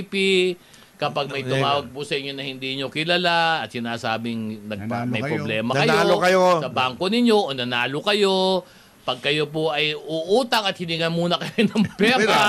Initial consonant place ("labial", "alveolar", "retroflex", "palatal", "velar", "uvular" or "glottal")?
labial